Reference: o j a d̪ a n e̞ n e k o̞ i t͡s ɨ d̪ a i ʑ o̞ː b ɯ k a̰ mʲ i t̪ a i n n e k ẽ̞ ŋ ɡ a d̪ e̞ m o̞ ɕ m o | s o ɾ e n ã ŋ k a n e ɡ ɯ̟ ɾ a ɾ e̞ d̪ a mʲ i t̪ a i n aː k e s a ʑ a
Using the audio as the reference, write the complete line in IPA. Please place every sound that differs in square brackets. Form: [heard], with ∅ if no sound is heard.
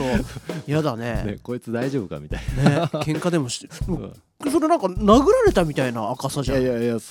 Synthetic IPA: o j a d̪ a n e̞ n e k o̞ i t͡s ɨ d̪ a i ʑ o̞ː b ɯ k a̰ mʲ i t̪ a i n n e k ẽ̞ ŋ [k] a d̪ e̞ m o̞ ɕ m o | s o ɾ e n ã ŋ k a n [a] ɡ ɯ̟ ɾ a ɾ e̞ [t̪] a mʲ i t̪ a i n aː k [a] s a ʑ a